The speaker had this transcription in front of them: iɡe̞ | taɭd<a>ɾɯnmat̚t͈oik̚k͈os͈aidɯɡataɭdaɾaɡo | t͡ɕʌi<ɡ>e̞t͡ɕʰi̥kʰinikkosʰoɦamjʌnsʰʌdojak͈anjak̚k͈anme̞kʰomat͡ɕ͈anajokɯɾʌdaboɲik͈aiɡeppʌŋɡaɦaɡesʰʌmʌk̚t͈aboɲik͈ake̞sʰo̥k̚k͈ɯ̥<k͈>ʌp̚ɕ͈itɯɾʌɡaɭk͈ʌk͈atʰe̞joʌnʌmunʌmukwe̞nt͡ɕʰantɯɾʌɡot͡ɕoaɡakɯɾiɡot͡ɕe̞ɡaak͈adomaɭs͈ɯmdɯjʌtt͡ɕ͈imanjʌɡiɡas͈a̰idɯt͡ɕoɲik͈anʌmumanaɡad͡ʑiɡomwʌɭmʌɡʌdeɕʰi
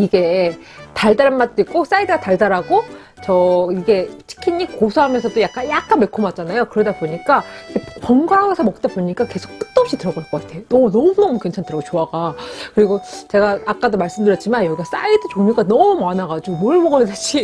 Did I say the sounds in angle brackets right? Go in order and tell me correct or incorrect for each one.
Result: correct, correct, incorrect

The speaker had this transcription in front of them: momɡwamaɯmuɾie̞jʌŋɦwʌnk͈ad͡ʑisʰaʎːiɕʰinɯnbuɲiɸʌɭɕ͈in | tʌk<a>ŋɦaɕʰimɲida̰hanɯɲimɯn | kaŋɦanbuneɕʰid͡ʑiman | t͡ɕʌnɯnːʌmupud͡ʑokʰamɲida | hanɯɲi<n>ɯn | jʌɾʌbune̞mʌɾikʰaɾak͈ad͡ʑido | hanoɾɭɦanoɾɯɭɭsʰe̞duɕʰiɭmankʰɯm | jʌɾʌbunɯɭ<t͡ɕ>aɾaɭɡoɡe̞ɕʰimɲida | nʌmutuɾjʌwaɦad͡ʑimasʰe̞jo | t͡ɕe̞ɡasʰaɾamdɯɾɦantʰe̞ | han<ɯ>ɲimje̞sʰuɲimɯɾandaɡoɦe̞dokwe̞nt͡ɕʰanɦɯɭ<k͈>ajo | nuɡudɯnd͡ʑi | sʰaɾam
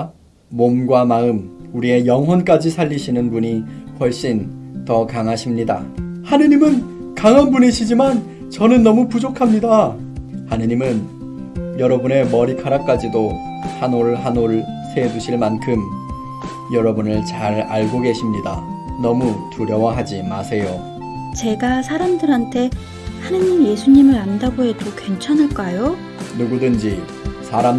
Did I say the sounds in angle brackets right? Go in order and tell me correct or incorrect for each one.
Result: correct, incorrect, correct, correct, correct

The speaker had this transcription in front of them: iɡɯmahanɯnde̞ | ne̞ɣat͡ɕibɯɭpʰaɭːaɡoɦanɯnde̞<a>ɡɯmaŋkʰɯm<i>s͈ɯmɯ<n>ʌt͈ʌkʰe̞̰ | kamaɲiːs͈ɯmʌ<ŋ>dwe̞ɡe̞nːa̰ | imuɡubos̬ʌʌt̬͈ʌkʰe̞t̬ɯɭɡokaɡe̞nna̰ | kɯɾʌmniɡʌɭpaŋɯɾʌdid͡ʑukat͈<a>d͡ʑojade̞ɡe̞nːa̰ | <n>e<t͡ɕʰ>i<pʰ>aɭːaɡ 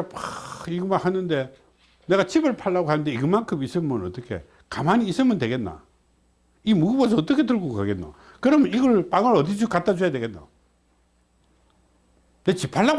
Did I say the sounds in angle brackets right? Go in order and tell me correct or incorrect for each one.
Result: incorrect, correct, correct, incorrect, correct, correct, incorrect, correct

